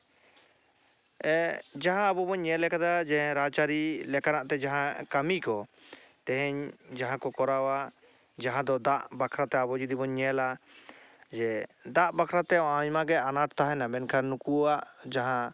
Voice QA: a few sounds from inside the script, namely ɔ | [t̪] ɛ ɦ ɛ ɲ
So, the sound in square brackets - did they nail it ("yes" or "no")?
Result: yes